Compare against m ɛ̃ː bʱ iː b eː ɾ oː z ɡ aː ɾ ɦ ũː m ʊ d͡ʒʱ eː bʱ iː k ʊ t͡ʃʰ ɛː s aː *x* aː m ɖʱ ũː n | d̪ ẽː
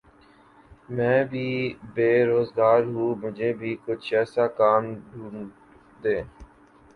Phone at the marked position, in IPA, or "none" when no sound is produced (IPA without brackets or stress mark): k